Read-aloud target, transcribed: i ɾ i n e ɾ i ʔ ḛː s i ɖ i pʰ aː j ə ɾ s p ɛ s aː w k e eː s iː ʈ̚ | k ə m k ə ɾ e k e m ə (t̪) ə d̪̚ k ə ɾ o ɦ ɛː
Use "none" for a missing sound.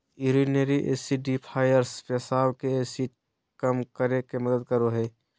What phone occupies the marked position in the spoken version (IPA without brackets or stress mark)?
d̪